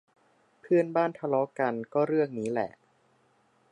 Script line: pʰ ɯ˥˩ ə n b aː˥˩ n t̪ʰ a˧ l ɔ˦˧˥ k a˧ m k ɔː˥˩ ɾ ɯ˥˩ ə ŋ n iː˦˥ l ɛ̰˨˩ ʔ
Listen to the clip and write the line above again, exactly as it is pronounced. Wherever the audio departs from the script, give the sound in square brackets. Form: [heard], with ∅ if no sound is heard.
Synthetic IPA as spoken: pʰ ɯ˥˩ ə n b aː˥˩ n t̪ʰ a˧ l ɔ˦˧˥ k a˧ [n] k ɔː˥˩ ɾ ɯ˥˩ ə ŋ n iː˦˥ l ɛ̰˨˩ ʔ